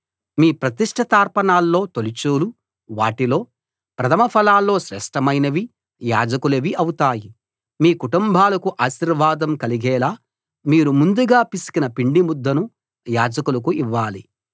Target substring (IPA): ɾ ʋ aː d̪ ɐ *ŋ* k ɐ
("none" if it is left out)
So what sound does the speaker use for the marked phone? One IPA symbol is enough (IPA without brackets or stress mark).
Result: m